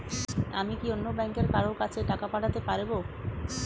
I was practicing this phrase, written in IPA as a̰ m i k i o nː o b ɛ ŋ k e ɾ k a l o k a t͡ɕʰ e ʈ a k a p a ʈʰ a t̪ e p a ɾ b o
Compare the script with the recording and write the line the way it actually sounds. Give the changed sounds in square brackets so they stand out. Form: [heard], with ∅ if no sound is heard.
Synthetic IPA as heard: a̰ m i k i o nː o b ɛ ŋ k e ɾ k a [ɾ] o k a t͡ɕʰ e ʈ a k a p a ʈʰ a t̪ e p a ɾ b o